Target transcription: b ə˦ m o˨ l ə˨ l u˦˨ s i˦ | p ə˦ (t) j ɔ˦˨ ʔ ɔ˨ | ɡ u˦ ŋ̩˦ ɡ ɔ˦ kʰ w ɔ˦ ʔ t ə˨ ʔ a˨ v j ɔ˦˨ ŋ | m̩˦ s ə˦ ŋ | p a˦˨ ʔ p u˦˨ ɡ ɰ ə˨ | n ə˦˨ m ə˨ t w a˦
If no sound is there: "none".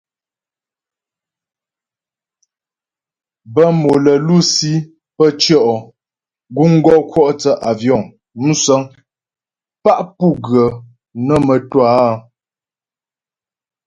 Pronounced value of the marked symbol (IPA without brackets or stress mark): t͡ʃ